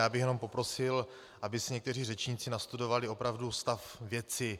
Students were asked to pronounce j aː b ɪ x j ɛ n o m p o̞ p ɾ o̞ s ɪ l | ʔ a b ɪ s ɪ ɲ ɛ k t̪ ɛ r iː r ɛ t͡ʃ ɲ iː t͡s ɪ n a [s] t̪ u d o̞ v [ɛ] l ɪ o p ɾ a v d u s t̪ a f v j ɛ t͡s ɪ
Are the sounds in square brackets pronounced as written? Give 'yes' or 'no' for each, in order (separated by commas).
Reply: yes, no